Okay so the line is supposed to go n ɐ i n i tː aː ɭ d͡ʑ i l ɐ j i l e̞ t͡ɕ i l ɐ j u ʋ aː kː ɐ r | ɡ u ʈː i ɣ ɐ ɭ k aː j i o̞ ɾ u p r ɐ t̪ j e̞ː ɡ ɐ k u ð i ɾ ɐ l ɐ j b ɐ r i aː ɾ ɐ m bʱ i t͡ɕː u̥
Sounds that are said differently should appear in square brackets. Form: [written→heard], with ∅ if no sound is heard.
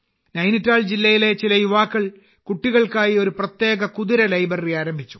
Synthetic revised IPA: n ɐ [i→j] n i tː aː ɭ d͡ʑ i [l→lː] ɐ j i l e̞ t͡ɕ i l ɐ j u ʋ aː kː ɐ [r→ɭ] | [ɡ→k] u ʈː i ɣ ɐ ɭ k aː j i o̞ ɾ u p r ɐ t̪ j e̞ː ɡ ɐ k u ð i ɾ ɐ l ɐ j b ɐ r i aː ɾ ɐ m bʱ i t͡ɕː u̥